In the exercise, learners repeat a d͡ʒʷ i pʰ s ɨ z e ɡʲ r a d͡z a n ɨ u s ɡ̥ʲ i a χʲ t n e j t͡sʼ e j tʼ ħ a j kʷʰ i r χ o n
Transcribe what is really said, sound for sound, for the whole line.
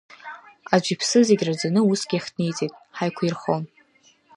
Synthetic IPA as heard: a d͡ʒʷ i pʰ s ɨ z e ɡʲ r a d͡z a n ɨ u s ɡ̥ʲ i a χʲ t n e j t͡sʼ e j tʼ ħ a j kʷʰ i r χ o n